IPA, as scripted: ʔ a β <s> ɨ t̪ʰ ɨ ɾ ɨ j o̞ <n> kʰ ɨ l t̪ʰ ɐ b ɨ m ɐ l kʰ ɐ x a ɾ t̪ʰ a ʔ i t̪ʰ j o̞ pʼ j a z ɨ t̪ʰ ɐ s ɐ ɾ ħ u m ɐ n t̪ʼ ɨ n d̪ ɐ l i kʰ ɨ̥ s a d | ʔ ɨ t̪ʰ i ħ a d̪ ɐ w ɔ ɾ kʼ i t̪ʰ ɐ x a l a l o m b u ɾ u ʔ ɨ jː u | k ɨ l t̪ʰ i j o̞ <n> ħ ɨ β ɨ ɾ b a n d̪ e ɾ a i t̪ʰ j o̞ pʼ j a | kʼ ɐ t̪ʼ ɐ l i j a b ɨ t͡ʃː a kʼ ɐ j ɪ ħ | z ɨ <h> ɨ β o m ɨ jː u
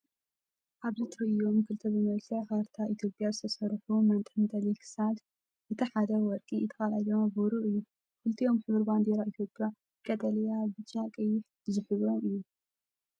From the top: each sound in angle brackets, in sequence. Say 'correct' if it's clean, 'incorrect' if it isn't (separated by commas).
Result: incorrect, incorrect, incorrect, incorrect